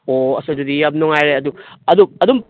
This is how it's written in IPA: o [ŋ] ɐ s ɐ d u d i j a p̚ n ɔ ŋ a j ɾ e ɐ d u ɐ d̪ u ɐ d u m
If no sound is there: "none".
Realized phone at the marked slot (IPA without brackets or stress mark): none